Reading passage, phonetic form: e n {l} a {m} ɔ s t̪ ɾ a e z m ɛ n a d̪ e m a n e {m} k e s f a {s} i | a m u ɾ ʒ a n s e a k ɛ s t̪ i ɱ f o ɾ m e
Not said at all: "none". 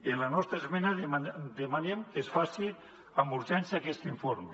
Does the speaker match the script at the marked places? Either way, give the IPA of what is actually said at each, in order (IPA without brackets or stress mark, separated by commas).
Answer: l, n, m, s